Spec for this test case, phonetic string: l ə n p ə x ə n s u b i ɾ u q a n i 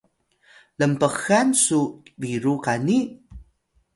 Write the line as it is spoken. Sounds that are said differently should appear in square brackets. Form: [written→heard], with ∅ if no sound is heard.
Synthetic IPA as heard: l ə [n→m] p ə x [ə→a] n s u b i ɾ u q a n i